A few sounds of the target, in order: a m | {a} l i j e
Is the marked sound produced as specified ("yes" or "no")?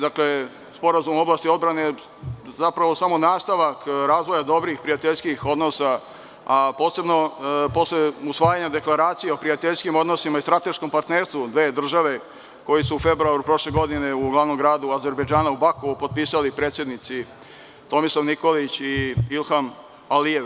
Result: yes